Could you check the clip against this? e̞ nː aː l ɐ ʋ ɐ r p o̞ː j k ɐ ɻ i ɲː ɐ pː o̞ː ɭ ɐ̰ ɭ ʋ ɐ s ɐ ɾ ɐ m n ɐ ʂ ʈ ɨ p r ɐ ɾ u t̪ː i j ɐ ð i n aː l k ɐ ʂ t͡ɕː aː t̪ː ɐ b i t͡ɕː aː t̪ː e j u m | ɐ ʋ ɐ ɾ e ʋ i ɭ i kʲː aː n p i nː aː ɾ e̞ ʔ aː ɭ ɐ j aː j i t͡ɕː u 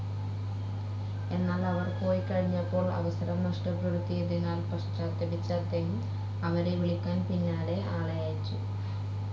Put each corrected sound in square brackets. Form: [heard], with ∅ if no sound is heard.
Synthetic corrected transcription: e̞ nː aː l ɐ ʋ ɐ r p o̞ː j k ɐ ɻ i ɲː ɐ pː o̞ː ɭ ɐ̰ [∅] ʋ ɐ s ɐ ɾ ɐ m n ɐ ʂ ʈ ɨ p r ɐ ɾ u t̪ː i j ɐ ð i n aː l [p] ɐ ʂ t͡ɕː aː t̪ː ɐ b i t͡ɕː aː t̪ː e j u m | ɐ ʋ ɐ ɾ e ʋ i ɭ i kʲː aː n p i nː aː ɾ e̞ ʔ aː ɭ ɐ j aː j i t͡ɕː u